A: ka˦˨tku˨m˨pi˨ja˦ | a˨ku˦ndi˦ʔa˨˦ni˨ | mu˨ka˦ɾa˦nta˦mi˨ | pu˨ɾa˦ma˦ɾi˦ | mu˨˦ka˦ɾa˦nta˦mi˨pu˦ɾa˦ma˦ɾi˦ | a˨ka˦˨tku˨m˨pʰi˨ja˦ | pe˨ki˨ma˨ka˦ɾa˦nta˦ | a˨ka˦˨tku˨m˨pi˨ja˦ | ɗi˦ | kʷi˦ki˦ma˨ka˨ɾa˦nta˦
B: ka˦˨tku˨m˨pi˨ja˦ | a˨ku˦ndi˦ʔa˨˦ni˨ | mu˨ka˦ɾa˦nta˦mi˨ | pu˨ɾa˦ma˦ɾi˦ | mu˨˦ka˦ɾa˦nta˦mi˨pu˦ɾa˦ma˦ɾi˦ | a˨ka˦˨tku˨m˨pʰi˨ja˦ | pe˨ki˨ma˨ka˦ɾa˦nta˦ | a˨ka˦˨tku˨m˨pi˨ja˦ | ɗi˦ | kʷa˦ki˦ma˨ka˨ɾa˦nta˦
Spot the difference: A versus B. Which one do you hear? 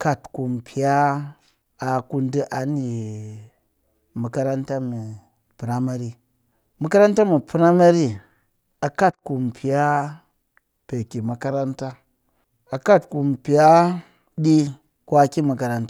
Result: B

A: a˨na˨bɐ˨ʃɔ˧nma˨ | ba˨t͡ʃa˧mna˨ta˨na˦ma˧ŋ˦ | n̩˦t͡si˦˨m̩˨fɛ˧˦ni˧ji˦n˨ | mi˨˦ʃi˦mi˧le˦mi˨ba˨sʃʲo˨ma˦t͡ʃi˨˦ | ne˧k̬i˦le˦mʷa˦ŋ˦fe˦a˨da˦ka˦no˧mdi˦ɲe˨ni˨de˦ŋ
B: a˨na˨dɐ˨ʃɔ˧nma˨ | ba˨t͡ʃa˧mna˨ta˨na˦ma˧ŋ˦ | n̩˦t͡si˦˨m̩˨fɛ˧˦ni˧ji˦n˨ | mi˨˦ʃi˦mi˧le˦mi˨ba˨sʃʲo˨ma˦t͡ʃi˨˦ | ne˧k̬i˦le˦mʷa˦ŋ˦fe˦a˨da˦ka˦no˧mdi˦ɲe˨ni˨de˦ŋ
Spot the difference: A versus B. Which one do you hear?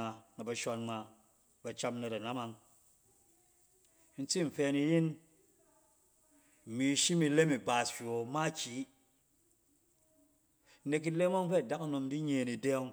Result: A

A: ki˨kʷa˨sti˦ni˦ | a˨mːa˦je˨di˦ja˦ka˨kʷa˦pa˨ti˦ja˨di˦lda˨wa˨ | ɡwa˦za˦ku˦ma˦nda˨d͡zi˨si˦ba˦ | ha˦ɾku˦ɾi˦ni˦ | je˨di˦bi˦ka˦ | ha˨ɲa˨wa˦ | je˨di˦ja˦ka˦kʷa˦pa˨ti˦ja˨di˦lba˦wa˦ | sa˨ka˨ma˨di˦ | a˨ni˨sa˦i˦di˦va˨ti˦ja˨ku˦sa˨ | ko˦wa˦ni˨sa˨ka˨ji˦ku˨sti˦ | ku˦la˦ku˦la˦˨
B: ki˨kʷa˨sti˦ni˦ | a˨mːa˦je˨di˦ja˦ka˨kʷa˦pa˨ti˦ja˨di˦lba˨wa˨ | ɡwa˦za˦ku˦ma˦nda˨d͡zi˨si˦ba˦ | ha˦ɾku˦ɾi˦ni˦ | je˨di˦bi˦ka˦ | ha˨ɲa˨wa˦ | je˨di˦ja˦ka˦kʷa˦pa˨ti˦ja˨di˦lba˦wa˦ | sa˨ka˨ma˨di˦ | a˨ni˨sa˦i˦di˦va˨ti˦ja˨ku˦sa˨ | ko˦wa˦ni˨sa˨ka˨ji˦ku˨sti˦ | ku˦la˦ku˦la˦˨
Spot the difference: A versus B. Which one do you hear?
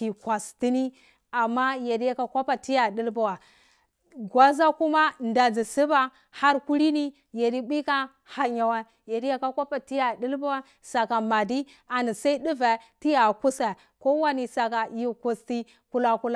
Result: B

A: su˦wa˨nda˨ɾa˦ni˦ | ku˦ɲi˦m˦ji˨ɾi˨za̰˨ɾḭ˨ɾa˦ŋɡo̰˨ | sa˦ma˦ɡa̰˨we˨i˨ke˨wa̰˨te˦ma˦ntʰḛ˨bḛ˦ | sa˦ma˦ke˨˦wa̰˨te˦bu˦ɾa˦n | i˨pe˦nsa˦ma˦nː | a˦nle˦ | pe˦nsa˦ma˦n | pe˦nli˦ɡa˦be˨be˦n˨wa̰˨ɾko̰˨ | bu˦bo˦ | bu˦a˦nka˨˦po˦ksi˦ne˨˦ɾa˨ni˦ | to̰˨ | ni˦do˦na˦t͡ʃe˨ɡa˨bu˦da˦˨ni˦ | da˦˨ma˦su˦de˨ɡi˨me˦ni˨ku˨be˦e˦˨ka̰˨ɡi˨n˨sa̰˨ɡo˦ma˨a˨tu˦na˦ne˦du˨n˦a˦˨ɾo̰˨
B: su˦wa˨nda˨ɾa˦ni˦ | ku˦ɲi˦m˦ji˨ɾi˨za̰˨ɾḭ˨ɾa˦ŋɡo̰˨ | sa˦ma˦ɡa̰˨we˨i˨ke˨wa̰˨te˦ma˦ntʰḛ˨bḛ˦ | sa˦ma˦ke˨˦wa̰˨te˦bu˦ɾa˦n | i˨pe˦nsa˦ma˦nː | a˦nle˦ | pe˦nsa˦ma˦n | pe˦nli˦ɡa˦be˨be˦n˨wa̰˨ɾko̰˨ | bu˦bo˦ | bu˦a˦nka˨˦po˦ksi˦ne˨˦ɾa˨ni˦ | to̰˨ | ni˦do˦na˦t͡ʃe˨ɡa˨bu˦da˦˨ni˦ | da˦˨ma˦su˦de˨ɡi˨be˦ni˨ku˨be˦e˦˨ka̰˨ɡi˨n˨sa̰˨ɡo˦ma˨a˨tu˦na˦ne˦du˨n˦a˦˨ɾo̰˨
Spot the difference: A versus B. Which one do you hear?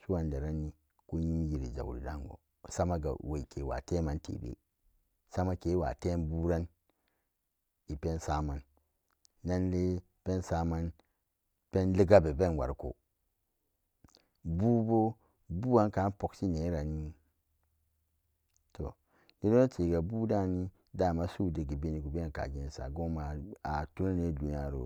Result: B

